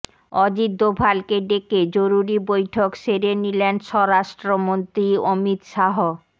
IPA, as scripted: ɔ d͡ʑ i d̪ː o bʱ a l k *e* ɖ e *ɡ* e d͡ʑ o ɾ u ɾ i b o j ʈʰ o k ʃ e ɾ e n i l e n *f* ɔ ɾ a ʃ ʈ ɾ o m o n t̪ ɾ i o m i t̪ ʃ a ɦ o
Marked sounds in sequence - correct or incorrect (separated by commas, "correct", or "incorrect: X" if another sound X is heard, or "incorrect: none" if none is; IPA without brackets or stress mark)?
correct, incorrect: k, incorrect: ʃ